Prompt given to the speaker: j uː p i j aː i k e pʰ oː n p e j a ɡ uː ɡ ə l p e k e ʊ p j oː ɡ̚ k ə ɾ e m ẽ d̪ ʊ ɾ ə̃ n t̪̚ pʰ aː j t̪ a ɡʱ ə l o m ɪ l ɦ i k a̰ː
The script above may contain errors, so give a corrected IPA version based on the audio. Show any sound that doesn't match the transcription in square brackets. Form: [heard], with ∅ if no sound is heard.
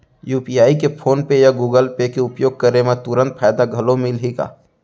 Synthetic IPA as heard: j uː p i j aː i k e pʰ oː n p e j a ɡ uː ɡ ə l p e k e ʊ p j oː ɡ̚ k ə ɾ e m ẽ [t̪] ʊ ɾ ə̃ n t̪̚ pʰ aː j [d̪] a ɡʱ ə l o m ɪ l ɦ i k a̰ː